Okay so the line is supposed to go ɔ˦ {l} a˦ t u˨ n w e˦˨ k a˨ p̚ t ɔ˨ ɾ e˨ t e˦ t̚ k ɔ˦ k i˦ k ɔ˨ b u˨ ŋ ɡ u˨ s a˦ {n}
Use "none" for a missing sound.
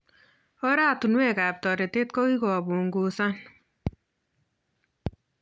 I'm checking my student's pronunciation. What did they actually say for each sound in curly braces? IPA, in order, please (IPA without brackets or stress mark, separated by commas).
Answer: ɾ, n